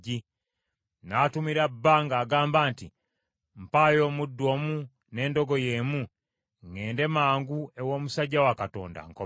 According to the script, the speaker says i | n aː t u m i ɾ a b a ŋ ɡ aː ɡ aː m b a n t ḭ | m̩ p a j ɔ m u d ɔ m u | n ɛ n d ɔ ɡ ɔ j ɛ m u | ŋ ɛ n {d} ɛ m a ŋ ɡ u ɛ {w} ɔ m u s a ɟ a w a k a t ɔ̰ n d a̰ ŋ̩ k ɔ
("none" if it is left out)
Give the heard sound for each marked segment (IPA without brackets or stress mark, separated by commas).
d, w